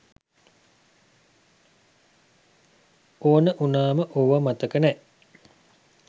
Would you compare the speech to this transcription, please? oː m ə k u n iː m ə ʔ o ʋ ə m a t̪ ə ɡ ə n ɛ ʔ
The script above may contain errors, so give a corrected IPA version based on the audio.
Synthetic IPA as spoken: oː n ə ʔ u n aː m ə ʔ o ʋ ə m a t̪ ə k ə n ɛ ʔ